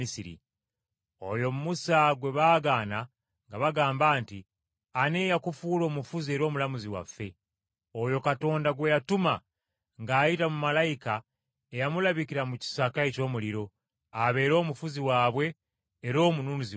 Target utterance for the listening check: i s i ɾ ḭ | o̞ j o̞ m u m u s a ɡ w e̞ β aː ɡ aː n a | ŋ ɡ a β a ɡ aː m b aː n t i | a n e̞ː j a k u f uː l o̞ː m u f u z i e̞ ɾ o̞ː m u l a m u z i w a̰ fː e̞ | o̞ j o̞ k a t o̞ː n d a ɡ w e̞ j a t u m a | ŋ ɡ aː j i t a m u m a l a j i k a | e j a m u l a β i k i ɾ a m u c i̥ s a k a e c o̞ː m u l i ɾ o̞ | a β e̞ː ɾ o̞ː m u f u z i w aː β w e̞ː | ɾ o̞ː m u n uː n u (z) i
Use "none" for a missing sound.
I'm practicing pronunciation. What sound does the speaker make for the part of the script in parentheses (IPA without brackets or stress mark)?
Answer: z